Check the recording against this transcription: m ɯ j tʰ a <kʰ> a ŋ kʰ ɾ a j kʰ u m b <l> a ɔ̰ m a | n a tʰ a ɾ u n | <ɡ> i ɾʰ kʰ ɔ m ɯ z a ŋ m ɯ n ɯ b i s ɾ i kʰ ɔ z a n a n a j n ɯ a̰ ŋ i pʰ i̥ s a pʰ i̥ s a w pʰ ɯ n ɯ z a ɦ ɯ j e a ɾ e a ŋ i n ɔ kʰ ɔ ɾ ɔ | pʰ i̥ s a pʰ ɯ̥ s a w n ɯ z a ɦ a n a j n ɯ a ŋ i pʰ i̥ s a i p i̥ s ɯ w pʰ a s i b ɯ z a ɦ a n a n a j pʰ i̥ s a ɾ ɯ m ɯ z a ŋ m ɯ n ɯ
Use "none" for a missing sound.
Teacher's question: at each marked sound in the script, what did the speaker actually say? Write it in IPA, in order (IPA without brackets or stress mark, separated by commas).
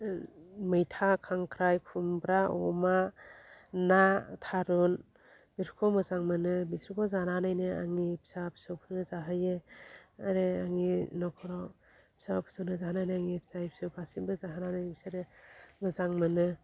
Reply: kʰ, ɾ, b